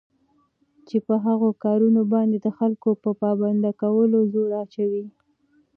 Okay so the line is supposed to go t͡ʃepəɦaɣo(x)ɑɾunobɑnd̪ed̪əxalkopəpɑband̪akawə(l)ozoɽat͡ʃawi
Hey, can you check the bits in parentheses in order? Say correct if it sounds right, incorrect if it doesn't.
incorrect, correct

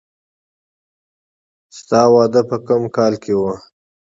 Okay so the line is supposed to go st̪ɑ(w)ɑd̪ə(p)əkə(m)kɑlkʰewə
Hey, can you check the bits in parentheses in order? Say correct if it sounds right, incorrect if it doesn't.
correct, correct, correct

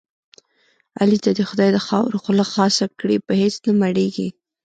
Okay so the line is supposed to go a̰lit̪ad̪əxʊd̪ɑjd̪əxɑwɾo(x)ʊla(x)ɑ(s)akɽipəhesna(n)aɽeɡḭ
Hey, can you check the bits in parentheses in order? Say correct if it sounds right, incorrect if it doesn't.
correct, correct, correct, incorrect

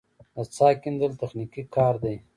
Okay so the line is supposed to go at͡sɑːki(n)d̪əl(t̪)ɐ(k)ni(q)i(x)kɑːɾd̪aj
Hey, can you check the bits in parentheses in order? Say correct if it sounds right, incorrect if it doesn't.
correct, correct, incorrect, incorrect, incorrect

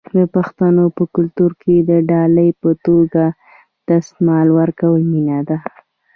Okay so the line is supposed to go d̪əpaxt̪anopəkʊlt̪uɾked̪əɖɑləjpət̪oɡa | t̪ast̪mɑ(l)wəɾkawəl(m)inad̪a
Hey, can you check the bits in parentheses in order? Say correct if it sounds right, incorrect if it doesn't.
correct, correct

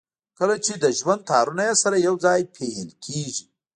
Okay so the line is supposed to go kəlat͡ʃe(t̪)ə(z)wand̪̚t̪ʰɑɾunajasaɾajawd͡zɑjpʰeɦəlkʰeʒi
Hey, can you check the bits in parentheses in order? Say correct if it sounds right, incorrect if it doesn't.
incorrect, incorrect

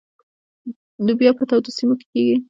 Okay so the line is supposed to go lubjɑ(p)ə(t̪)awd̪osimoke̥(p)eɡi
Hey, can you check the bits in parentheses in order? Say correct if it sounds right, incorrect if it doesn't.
correct, correct, incorrect

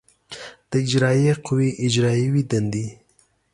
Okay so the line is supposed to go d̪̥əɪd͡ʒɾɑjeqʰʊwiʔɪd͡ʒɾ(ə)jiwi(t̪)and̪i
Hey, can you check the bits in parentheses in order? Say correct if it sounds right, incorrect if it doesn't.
incorrect, incorrect

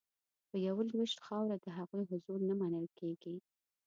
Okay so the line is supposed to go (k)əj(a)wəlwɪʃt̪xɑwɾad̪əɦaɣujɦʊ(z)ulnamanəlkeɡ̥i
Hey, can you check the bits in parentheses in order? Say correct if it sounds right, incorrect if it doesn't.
incorrect, correct, correct

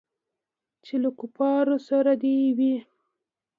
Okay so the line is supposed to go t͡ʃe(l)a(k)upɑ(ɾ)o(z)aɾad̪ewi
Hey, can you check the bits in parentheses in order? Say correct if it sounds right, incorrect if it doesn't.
correct, correct, correct, incorrect

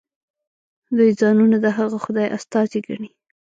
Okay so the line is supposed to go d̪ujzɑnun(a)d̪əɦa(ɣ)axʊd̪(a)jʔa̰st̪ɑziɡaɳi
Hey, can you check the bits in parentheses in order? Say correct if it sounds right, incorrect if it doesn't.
correct, correct, incorrect

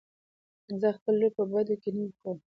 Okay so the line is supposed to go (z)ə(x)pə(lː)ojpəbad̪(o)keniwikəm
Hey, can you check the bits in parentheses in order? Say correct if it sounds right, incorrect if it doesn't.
correct, correct, correct, correct

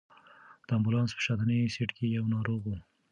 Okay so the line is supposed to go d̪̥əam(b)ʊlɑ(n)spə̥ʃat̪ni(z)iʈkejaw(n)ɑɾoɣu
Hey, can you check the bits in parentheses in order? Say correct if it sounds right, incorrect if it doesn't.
correct, correct, incorrect, correct

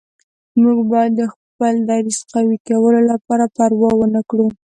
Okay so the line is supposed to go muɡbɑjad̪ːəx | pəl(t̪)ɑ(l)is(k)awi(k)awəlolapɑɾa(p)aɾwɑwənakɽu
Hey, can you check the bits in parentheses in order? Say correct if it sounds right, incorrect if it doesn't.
incorrect, incorrect, incorrect, correct, correct

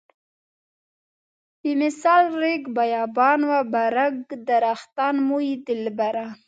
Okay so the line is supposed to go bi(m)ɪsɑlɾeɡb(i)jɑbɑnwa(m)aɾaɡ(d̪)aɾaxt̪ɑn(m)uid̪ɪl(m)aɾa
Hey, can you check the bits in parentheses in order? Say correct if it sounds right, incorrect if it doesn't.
correct, incorrect, incorrect, correct, correct, incorrect

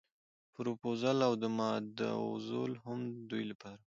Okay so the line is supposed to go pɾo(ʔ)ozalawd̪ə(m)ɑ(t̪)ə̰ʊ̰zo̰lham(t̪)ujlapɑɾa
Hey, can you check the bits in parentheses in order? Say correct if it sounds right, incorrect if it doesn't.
incorrect, correct, incorrect, incorrect

